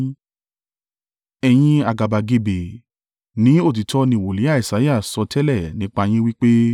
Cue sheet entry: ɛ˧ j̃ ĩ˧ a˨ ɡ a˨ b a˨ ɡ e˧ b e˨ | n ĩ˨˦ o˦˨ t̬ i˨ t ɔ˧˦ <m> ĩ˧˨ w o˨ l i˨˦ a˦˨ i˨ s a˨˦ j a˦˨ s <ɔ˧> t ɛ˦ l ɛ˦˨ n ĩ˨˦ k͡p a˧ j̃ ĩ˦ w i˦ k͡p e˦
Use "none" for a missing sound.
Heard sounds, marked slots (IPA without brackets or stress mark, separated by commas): n, ɔ˧